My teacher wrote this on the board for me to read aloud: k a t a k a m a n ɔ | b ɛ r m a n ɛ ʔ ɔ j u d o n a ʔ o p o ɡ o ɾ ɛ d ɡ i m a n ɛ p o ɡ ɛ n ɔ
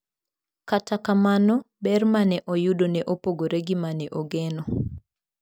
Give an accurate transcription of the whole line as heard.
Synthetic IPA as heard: k a t a k a m a n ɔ | b ɛ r m a n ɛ ʔ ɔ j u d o n ɛ ʔ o p o ɡ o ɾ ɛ ɡ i m a n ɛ ʔ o ɡ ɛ n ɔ